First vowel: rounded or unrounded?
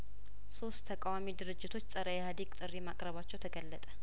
rounded